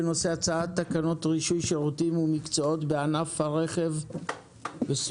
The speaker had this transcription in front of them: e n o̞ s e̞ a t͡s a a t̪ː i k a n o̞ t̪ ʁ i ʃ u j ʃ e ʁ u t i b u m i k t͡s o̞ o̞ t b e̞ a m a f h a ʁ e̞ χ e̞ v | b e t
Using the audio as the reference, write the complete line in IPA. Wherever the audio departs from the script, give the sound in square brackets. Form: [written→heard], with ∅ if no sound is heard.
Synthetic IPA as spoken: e n o̞ s e̞ a t͡s a a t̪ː [i→a] k a n o̞ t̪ ʁ i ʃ u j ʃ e ʁ u t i [b→m] u m i k t͡s o̞ o̞ t b e̞ a [m→n] a f h a ʁ e̞ χ e̞ v | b e [t→s]